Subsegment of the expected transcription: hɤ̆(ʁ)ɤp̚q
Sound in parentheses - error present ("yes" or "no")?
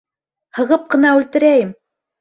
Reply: no